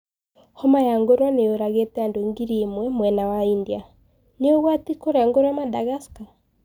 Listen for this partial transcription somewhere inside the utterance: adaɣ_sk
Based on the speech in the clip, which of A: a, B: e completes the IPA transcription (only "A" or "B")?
A